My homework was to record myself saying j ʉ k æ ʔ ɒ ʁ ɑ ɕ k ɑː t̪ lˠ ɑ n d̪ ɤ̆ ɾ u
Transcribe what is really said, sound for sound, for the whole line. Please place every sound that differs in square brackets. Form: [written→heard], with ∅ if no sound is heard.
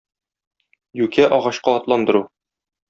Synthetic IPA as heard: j ʉ k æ ʔ ɒ ʁ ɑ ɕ [k→q] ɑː t̪ lˠ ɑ n d̪ ɤ̆ ɾ u